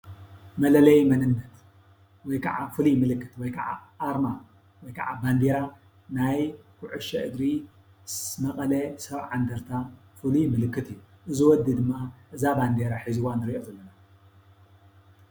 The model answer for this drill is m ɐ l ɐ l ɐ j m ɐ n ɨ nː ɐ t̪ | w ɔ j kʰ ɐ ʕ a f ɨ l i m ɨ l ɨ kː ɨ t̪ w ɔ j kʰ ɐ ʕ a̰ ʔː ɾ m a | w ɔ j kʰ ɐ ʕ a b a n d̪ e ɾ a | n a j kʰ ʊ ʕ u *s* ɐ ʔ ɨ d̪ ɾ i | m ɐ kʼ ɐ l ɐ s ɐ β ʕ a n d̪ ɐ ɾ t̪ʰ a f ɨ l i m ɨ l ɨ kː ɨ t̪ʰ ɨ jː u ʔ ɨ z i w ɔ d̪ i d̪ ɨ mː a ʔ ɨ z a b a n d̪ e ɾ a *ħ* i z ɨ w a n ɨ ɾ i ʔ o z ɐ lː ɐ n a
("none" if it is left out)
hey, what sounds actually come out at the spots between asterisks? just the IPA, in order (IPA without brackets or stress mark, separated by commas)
ʃ, ħ